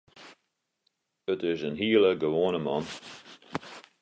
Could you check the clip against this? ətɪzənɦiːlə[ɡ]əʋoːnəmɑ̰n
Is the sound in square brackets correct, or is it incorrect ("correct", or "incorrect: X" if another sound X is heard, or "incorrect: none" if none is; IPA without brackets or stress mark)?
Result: correct